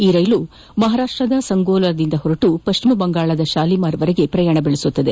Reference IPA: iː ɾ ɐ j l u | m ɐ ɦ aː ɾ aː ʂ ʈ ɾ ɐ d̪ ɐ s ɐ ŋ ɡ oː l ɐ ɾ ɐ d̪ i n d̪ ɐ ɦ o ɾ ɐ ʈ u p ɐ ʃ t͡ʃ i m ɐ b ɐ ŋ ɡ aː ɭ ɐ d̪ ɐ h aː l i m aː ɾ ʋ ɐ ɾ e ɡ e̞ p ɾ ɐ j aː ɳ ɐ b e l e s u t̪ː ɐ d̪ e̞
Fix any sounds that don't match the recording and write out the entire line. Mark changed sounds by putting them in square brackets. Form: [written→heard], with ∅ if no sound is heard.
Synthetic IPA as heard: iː ɾ ɐ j l u | m ɐ ɦ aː ɾ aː ʂ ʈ ɾ ɐ d̪ ɐ s ɐ ŋ ɡ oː l ɐ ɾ ɐ d̪ i n d̪ ɐ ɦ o ɾ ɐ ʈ u p ɐ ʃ t͡ʃ i m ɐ b ɐ ŋ ɡ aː ɭ ɐ d̪ ɐ [h→ʃ] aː l i m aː ɾ ʋ ɐ ɾ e ɡ e̞ p ɾ ɐ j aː ɳ ɐ b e [l→ɭ] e s u t̪ː ɐ d̪ e̞